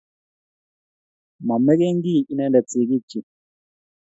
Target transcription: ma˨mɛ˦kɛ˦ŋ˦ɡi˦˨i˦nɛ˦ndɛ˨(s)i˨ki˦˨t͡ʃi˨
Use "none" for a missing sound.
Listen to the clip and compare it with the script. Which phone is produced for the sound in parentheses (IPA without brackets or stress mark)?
t͡s